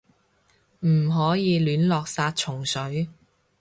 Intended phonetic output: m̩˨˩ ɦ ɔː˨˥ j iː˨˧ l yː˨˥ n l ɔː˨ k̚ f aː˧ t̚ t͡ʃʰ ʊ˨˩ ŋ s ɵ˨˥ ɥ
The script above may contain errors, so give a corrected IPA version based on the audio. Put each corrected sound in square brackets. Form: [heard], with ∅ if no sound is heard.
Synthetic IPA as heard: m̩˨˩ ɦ ɔː˨˥ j iː˨˧ l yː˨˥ n l ɔː˨ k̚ [s] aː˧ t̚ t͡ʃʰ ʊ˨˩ ŋ s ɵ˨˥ ɥ